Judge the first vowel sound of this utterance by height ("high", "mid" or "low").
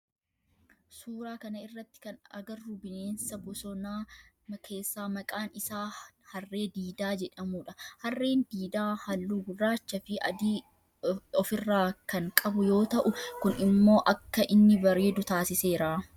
high